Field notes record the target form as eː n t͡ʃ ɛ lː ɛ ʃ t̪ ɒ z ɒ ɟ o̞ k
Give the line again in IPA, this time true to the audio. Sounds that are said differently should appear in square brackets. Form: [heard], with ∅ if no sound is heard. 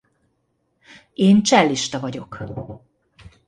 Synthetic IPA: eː n t͡ʃ ɛ lː [i] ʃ t̪ ɒ [v] ɒ ɟ o̞ k